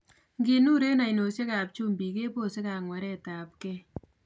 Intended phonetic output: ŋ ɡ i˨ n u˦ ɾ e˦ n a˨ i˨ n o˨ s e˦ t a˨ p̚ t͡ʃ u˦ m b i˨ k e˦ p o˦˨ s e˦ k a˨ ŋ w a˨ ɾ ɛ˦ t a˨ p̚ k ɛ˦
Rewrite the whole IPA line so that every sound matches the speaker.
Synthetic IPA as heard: ŋ ɡ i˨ n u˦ ɾ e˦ n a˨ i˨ n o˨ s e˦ k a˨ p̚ t͡ʃ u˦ m b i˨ k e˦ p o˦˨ s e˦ k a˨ ŋ w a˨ ɾ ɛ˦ t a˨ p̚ k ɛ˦